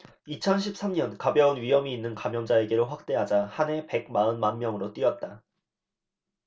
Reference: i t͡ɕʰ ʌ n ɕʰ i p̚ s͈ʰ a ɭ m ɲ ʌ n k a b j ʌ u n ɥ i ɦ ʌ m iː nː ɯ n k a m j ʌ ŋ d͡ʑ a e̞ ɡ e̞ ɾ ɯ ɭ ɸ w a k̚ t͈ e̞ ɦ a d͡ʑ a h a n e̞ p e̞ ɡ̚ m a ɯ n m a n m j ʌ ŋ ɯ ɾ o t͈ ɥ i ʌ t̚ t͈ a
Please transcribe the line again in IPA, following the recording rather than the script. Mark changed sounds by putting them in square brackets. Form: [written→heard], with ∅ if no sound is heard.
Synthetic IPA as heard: i t͡ɕʰ ʌ n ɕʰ i p̚ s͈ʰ a [ɭ→∅] m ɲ ʌ n k a b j ʌ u n ɥ i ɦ ʌ m iː nː ɯ n k a m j ʌ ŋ d͡ʑ a e̞ ɡ e̞ ɾ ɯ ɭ ɸ w a k̚ t͈ e̞ ɦ a d͡ʑ a h a n e̞ p e̞ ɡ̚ m a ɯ n m a n m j ʌ ŋ ɯ ɾ o t͈ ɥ i ʌ t̚ t͈ a